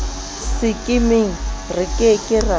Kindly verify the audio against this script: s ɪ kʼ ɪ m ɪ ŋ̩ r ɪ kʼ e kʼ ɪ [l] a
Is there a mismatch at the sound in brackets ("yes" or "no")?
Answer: yes